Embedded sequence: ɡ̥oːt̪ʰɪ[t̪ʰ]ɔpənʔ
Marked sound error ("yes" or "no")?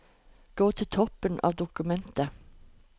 no